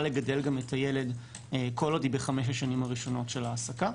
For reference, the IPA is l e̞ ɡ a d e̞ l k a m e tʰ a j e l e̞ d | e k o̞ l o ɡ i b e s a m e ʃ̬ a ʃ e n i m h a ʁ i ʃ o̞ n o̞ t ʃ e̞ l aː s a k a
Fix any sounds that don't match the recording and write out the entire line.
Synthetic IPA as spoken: l e̞ ɡ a d e̞ l ɡ a m e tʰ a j e l e̞ d | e k o̞ l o d i b e χ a m e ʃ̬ a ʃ a n i m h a ʁ i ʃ o̞ n o̞ t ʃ e̞ l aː s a k a